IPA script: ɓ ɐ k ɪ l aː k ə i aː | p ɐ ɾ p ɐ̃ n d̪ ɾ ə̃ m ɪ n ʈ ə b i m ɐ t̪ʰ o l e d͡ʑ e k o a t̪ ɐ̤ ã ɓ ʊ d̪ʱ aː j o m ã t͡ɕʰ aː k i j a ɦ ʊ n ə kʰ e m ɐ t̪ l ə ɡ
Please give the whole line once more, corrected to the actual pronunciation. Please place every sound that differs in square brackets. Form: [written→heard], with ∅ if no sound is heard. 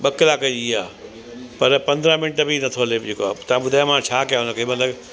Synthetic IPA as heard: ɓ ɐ k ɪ l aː k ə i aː | p ɐ ɾ p ɐ̃ n d̪ ɾ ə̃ m ɪ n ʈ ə b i [m→n] ɐ t̪ʰ o l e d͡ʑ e k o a t̪ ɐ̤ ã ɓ ʊ d̪ʱ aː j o m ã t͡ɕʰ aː k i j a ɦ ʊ n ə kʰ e m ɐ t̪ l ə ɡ